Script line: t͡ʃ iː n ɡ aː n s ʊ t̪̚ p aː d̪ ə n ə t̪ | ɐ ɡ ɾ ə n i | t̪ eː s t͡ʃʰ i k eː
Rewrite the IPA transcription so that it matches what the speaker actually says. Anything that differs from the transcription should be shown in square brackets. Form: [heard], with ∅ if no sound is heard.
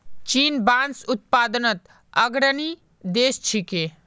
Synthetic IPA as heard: t͡ʃ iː n [b] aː n s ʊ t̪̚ p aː d̪ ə n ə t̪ | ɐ ɡ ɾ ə n i | [d̪] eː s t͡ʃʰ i k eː